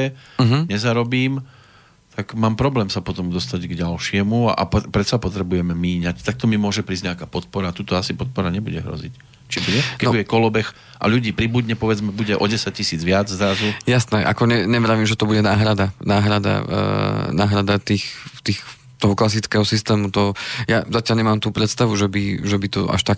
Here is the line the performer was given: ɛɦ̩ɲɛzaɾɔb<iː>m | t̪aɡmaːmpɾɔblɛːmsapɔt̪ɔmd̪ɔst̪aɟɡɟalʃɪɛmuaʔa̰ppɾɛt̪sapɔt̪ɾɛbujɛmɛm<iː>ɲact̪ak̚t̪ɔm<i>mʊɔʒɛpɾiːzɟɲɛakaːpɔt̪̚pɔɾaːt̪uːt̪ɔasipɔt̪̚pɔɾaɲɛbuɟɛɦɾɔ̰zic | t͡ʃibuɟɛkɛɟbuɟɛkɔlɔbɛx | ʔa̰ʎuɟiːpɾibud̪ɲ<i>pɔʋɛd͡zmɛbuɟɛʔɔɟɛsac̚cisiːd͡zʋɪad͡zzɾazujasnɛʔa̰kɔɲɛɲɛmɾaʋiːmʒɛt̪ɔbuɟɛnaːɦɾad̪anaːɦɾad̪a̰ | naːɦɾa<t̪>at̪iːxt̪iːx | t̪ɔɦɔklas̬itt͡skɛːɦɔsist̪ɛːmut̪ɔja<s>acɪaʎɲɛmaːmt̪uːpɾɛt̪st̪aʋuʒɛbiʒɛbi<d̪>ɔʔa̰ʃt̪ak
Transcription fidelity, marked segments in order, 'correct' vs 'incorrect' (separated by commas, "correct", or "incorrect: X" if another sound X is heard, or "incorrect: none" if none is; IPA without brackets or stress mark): correct, correct, correct, incorrect: ɛ, incorrect: d̪, incorrect: z, incorrect: t̪